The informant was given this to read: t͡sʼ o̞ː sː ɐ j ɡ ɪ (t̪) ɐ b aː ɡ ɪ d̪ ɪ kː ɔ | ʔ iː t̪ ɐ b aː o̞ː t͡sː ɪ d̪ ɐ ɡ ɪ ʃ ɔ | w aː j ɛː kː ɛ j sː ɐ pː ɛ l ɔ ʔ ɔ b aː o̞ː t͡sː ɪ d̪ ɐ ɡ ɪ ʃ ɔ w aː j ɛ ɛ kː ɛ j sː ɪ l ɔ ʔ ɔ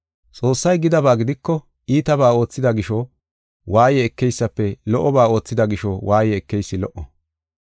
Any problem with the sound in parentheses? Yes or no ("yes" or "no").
yes